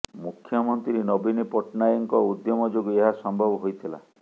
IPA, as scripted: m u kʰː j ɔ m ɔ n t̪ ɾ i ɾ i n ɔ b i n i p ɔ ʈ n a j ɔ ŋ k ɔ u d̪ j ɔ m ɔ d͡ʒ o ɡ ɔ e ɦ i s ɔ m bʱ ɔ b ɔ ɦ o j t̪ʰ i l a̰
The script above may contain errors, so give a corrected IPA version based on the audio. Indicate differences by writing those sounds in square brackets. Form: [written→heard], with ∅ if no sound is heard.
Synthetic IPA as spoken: m u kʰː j ɔ m ɔ n t̪ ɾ i ɾ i n ɔ b i n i p ɔ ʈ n a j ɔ ŋ k ɔ u d̪ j ɔ m ɔ d͡ʒ o ɡ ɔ e ɦ [i→a] s ɔ m bʱ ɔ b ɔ ɦ o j t̪ʰ i l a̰